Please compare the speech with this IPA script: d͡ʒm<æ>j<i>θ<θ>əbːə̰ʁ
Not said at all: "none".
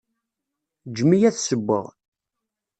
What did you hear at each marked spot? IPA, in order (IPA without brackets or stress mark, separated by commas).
i, æ, s